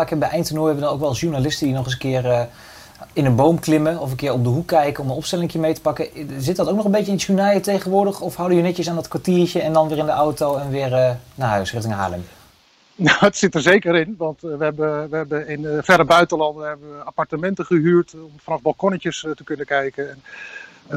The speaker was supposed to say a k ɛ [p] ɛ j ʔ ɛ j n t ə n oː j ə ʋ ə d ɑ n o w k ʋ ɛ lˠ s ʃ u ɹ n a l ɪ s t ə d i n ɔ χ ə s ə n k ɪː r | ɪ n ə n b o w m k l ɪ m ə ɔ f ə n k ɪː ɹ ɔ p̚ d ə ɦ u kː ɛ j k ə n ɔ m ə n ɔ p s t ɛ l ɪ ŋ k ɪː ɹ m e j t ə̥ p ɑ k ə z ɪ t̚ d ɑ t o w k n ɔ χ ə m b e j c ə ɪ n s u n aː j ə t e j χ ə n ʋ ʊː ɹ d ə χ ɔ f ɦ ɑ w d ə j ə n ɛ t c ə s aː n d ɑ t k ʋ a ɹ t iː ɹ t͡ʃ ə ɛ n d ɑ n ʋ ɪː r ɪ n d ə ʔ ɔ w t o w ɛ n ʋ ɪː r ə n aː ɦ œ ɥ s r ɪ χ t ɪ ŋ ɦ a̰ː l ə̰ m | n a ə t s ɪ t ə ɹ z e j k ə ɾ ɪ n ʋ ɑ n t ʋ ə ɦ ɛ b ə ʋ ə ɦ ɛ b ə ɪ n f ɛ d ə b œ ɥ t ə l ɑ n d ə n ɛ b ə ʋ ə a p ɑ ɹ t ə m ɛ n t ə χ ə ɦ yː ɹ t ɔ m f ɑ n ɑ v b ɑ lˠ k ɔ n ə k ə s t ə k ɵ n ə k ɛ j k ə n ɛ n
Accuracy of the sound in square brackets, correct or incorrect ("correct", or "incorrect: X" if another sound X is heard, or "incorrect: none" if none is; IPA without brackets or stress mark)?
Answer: incorrect: b